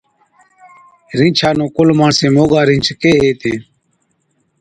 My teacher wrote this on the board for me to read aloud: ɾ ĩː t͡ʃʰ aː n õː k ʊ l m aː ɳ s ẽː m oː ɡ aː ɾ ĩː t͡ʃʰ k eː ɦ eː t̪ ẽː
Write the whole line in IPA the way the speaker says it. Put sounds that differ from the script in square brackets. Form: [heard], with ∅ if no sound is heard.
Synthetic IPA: ɾ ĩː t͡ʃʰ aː n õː k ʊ l m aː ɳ s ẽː m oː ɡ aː ɾ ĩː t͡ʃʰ k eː ɦ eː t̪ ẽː